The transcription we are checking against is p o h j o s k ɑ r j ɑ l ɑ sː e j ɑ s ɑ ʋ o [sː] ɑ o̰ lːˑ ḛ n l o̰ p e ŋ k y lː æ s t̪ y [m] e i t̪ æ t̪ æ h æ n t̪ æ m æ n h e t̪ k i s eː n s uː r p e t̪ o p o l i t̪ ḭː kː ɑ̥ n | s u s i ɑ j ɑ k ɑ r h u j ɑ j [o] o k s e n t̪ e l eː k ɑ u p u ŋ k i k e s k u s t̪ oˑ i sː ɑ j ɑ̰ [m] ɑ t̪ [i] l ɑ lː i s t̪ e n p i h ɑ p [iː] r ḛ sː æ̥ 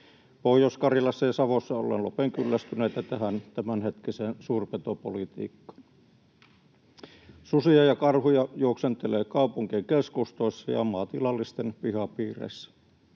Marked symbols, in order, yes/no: yes, no, no, yes, yes, yes

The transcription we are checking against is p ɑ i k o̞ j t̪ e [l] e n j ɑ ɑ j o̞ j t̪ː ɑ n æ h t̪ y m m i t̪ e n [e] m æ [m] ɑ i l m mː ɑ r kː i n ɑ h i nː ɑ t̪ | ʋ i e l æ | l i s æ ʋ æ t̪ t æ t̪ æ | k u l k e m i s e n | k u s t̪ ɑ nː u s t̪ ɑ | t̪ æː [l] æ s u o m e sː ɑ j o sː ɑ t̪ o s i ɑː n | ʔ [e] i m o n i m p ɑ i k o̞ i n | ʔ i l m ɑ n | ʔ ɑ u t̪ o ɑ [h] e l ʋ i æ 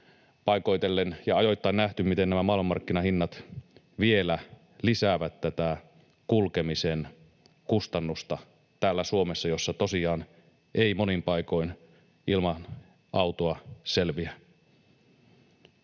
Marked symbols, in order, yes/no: no, no, yes, no, yes, no

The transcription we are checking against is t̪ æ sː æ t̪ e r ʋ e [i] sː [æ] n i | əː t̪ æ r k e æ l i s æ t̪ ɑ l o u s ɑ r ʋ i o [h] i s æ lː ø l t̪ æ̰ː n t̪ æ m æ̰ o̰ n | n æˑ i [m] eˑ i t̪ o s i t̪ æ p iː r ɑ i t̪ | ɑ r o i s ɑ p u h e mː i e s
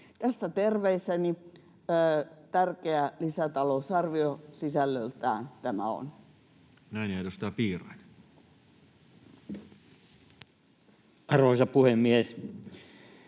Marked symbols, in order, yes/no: yes, yes, no, no

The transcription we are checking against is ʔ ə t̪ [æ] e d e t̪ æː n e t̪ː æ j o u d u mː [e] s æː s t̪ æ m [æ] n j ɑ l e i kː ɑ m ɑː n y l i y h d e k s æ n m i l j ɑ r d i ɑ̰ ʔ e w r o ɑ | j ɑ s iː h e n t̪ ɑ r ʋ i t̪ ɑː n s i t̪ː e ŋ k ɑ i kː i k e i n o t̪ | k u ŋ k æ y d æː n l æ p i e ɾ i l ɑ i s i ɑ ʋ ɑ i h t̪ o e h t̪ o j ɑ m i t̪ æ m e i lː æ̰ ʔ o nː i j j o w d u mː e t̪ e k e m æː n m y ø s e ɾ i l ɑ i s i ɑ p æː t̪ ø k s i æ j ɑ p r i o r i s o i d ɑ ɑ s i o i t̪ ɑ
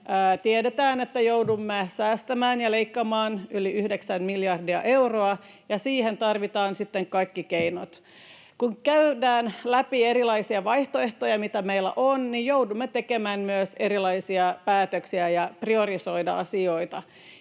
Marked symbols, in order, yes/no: no, yes, no

